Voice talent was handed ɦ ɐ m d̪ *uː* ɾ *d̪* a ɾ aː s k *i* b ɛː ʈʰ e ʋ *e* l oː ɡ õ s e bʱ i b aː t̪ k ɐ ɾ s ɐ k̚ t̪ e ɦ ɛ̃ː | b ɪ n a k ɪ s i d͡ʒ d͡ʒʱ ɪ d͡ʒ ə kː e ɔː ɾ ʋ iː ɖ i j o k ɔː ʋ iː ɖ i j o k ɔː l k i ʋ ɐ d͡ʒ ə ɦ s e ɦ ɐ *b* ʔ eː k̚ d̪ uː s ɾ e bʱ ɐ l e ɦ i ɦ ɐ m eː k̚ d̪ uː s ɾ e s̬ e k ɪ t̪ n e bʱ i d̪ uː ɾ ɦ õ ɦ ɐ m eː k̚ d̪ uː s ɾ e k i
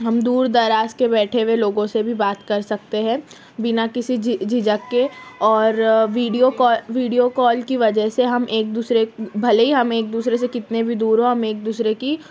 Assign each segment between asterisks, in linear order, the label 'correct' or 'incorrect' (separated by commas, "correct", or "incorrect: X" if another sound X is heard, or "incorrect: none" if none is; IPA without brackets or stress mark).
correct, correct, incorrect: e, correct, incorrect: m